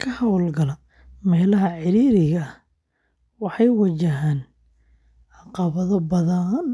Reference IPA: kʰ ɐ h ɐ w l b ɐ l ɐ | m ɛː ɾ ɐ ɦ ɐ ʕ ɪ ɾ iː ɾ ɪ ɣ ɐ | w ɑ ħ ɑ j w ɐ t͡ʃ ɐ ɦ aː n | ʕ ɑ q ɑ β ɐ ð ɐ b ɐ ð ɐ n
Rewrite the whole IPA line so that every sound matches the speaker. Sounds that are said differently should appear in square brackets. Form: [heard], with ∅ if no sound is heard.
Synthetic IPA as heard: kʰ ɐ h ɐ w l [ɡ] ɐ l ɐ | m ɛː [l] ɐ ɦ ɐ ʕ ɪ ɾ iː ɾ ɪ ɣ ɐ | w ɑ ħ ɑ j w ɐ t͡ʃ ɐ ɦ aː n | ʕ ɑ q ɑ β ɐ ð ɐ b ɐ ð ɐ n

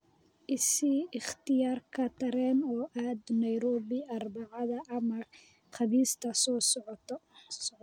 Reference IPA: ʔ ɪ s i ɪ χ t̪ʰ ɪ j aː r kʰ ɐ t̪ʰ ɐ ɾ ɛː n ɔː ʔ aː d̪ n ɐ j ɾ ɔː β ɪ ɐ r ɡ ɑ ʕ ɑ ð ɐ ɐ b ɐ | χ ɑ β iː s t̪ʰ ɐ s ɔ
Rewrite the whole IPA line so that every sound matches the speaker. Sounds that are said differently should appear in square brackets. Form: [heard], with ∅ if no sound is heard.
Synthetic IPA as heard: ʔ ɪ s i ɪ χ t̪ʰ ɪ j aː r kʰ ɐ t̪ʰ ɐ ɾ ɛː n ɔː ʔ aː d̪ n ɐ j ɾ ɔː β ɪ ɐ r [b] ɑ ʕ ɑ ð ɐ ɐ [m] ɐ | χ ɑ β iː s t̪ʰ ɐ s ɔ

